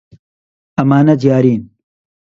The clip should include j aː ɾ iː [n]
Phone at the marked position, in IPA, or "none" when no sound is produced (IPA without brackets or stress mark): n